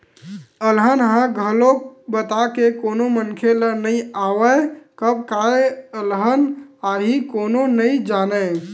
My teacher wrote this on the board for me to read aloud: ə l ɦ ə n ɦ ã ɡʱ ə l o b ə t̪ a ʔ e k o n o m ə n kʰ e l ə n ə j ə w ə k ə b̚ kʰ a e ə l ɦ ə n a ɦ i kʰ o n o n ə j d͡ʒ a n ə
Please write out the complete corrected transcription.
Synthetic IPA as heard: ə l ɦ ə n ɦ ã ɡʱ ə l o b ə t̪ a k e k o n o m ə n kʰ e l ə n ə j a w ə k ə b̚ k a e ə l ɦ ə n a ɦ i k o n o n ə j d͡ʒ a n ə